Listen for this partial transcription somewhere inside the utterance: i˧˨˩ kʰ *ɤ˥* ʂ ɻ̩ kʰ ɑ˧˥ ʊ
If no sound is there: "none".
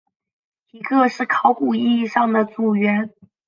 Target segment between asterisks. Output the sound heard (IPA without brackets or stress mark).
ɤ˥˧